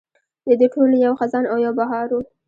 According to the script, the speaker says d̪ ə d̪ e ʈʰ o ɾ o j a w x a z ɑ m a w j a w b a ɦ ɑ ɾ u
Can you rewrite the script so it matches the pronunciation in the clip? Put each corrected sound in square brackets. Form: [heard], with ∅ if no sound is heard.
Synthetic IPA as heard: d̪ ə d̪ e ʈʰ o [l] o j a w x a z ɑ [n] a w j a w b a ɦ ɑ ɾ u